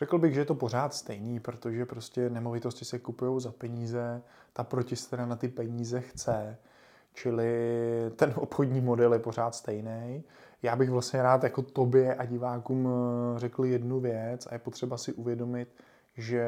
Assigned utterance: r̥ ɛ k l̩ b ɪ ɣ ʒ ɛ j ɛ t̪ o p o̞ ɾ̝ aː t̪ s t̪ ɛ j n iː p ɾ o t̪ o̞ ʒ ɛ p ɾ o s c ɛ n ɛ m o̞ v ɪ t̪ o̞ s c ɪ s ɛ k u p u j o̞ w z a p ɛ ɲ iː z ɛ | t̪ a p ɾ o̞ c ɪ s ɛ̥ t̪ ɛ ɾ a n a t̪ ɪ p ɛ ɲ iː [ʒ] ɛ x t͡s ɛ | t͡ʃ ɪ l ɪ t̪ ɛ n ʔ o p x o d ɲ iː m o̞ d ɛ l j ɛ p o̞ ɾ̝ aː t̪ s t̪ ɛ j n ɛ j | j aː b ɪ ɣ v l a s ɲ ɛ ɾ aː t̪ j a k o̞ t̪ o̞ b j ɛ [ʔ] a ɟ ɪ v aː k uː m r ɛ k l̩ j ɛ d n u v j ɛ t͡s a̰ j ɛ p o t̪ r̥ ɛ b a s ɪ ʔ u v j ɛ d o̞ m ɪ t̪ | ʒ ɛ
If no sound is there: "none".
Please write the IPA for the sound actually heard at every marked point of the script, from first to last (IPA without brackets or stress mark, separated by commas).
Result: z, ʔ